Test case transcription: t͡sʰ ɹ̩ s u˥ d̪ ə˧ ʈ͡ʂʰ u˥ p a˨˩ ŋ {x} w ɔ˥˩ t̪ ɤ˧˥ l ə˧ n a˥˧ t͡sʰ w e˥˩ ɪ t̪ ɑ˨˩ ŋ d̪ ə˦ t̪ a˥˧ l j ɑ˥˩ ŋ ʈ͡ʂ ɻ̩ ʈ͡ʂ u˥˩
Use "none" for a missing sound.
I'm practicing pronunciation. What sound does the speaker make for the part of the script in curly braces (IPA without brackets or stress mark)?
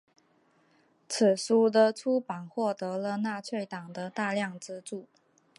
x